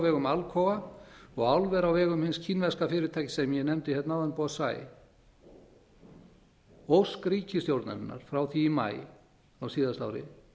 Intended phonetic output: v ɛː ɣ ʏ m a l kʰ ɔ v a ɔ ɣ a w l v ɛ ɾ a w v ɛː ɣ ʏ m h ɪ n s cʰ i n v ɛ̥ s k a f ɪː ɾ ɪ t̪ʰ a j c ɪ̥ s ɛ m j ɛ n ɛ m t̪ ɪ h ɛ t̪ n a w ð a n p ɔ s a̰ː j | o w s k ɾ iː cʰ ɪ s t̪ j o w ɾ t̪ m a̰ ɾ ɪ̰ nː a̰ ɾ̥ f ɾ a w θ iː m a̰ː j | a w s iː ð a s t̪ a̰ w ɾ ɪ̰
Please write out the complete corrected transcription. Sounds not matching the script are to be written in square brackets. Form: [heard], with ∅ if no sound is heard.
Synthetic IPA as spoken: v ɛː ɣ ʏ m a l kʰ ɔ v a ɔ ɣ a w l v ɛ ɾ a w v ɛː ɣ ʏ m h ɪ n s cʰ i n v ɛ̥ s k a f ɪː ɾ ɪ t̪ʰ a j c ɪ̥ s ɛ m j ɛ n ɛ m t̪ ɪ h ɛ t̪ n a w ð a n p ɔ s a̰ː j | o w s k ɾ iː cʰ ɪ s t̪ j o w ɾ t̪ [n] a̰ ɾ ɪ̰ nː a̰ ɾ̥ f ɾ a w θ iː m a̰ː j | a w s iː ð a s t̪ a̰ w ɾ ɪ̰